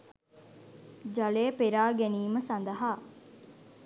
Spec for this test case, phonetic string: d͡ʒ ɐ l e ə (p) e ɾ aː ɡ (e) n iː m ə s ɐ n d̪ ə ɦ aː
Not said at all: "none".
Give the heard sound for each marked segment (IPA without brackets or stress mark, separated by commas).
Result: p, e